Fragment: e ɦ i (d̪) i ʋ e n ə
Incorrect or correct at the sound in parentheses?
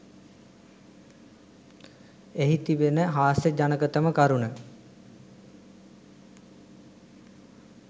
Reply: incorrect: t̪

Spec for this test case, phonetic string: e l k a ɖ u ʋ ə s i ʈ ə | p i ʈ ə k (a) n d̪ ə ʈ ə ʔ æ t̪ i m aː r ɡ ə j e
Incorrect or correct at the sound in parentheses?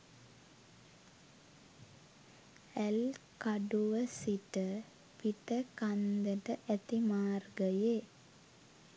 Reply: correct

